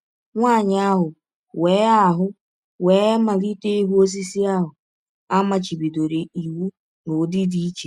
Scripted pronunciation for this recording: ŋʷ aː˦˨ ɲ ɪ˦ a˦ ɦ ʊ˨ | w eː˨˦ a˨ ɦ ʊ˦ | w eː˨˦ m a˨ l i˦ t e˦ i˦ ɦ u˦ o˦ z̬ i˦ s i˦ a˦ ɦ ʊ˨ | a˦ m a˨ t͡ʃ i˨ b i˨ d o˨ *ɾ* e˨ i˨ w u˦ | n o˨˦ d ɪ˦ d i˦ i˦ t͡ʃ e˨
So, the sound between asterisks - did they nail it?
yes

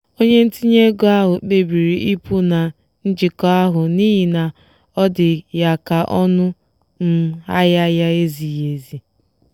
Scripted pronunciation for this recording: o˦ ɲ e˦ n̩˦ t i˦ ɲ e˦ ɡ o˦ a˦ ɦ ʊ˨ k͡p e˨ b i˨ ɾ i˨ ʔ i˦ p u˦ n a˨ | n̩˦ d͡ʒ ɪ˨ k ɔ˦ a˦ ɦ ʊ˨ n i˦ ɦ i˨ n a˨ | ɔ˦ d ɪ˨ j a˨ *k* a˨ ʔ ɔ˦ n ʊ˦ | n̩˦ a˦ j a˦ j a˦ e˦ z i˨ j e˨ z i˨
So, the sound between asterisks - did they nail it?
yes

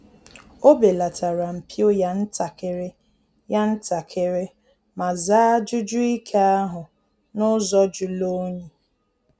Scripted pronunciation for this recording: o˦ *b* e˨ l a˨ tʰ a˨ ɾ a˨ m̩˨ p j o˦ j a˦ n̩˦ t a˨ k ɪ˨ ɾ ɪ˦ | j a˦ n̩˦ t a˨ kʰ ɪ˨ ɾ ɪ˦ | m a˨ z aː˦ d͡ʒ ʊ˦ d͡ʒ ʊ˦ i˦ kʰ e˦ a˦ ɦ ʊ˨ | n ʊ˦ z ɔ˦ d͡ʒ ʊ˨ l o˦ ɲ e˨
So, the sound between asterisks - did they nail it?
yes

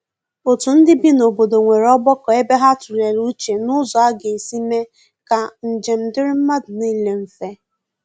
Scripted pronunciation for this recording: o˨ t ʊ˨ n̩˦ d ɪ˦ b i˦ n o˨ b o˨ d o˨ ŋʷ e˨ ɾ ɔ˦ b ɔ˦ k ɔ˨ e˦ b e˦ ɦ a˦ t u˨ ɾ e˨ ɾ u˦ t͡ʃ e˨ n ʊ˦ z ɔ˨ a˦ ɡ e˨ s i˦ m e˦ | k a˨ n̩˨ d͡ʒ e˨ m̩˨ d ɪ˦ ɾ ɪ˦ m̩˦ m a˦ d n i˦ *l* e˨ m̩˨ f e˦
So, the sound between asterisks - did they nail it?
yes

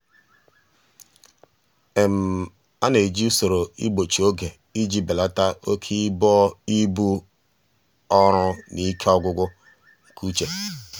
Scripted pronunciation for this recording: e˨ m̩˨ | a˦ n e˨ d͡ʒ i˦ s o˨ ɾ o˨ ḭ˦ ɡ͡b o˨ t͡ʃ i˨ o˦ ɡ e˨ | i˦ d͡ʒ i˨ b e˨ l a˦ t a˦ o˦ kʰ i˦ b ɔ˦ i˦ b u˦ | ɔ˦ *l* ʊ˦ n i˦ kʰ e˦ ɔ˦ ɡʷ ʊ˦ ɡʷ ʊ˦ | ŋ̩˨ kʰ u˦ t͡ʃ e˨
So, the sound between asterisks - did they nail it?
no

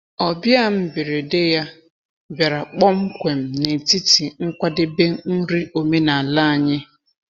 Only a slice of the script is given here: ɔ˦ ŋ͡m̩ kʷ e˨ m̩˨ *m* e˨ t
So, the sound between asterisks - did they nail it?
no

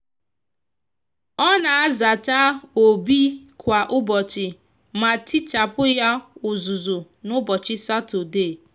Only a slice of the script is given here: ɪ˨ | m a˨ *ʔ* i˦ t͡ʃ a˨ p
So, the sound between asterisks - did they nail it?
no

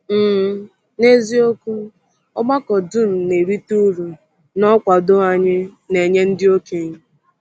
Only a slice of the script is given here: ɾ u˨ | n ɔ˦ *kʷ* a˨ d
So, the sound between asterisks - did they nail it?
yes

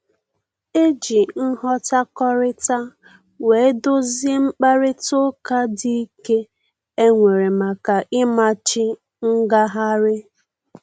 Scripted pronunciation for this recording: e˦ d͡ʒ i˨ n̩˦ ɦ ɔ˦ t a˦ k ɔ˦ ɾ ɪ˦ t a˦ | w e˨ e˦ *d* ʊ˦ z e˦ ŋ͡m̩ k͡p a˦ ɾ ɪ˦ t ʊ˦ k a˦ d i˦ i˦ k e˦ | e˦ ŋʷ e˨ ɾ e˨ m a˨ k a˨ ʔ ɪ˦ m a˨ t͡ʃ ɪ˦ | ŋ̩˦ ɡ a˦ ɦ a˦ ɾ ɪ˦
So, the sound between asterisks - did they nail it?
yes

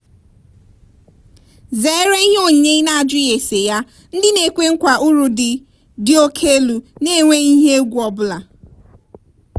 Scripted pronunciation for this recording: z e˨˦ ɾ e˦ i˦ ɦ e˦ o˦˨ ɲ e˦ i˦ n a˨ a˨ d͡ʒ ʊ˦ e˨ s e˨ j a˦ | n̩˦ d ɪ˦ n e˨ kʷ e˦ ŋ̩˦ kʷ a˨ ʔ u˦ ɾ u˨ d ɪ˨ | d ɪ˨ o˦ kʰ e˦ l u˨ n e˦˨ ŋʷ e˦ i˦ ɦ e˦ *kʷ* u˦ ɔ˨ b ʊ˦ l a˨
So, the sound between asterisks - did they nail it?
no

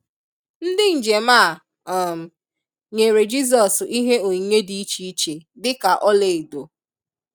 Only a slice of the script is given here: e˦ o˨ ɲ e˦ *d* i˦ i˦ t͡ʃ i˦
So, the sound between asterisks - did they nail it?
yes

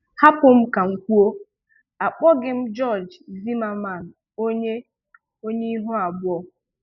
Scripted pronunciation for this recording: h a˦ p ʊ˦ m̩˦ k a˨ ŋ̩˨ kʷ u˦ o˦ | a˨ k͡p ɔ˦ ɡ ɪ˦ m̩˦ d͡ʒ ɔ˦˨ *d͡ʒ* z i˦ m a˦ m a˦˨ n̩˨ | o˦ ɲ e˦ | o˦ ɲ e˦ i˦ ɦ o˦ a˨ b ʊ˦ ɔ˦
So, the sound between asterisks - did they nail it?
yes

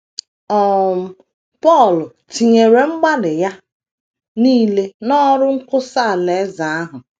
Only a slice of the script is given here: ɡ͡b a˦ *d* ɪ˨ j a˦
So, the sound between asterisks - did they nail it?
yes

